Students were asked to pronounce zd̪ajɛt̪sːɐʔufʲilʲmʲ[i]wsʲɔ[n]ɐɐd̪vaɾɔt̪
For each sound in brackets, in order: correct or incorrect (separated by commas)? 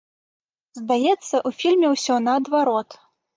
incorrect, correct